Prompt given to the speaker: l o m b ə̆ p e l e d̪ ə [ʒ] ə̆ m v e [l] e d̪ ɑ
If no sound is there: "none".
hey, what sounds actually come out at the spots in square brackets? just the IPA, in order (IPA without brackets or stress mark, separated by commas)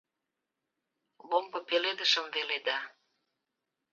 ʃ, l